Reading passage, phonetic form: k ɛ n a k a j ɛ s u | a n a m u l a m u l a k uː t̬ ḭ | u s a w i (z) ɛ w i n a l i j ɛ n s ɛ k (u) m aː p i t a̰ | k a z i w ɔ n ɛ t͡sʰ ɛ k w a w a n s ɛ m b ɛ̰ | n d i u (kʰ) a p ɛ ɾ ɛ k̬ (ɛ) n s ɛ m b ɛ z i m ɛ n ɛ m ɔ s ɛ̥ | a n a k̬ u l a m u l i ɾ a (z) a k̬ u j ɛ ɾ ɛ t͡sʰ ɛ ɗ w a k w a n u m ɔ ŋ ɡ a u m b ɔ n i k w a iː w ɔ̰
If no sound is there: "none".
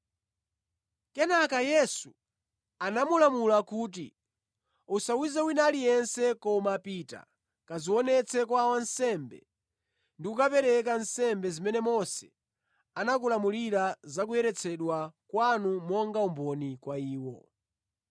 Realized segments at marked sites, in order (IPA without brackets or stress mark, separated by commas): z, ɔ, k, a, z